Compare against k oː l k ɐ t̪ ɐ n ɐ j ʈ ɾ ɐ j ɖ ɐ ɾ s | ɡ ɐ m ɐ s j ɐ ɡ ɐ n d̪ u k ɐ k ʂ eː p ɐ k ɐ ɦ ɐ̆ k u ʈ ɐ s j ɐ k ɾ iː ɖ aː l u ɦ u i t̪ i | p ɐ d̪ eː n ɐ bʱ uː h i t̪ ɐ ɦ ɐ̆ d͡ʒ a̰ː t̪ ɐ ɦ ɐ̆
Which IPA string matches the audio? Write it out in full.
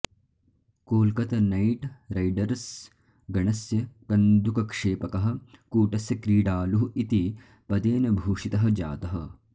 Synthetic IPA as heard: k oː l k ɐ t̪ ɐ n ɐ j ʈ ɾ ɐ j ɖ ɐ ɾ s | ɡ ɐ ɳ ɐ s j ɐ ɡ ɐ n d̪ u k ɐ k ʂ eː p ɐ k ɐ ɦ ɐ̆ k uː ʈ ɐ s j ɐ k ɾ iː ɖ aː l u ɦ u i t̪ i | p ɐ d̪ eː n ɐ bʱ uː ʂ i t̪ ɐ ɦ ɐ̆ d͡ʒ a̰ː t̪ ɐ ɦ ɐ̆